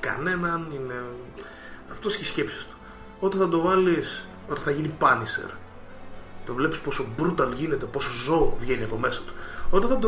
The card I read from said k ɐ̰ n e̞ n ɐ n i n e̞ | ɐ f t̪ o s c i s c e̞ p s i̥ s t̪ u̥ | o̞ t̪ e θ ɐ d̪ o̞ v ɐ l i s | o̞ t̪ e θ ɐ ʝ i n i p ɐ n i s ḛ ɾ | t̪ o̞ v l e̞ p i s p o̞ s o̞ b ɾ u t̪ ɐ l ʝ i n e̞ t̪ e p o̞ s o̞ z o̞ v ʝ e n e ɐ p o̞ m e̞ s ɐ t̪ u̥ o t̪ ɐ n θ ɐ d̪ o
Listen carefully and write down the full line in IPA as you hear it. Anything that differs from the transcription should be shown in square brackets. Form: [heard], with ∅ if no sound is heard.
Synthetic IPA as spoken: k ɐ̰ n e̞ n ɐ n i n e̞ | ɐ f t̪ o s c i s c e̞ p s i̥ s t̪ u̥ | o̞ t̪ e θ ɐ d̪ o̞ v ɐ l i s | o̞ t̪ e θ ɐ ʝ i n i p ɐ n i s ḛ ɾ | t̪ o̞ v l e̞ p i s p o̞ s o̞ b ɾ u t̪ ɐ l ʝ i n e̞ t̪ e p o̞ s o̞ z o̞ v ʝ e n [i] ɐ p o̞ m e̞ s ɐ t̪ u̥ o t̪ ɐ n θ ɐ d̪ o